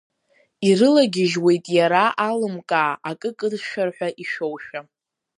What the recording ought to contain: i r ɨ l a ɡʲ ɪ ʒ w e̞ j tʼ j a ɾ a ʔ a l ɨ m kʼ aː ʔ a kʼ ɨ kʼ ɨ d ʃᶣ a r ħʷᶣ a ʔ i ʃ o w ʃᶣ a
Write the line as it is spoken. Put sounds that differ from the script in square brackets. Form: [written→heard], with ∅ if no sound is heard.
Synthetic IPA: i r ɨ l a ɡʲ ɪ ʒ w e̞ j tʼ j a ɾ a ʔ a l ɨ m kʼ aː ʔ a kʼ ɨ kʼ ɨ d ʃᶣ a r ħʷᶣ a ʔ i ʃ o w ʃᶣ a

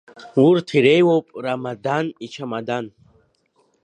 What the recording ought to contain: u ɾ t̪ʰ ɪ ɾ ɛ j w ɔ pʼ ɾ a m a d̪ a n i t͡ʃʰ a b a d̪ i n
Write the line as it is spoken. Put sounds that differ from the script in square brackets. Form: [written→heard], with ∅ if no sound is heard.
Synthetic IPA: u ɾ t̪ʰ [ɪ→i] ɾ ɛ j w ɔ pʼ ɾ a m a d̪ a n i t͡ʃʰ a [b→m] a d̪ [i→a] n

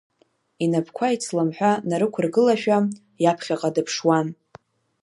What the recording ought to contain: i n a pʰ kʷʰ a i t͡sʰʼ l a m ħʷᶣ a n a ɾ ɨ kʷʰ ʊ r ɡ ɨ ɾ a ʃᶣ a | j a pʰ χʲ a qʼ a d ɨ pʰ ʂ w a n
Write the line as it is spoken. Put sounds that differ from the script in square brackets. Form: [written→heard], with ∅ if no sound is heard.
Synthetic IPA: i n a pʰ kʷʰ a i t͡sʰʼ l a m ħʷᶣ a n a ɾ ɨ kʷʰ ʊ r ɡ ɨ [ɾ→l] a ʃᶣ a | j a pʰ χʲ a qʼ a d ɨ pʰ ʂ w a n

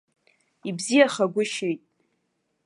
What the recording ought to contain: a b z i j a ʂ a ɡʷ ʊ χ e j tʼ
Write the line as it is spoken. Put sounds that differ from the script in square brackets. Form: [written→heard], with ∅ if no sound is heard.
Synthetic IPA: [a→i] b z i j a [ʂ→χ] a ɡʷ ʊ [χ→ʃ] e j tʼ

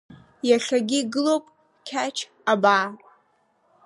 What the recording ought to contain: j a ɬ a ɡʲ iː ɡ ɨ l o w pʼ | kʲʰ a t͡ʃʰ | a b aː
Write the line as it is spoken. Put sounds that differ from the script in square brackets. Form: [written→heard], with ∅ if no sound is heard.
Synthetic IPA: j a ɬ a ɡʲ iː ɡ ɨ l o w pʼ | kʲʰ a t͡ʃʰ | a b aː

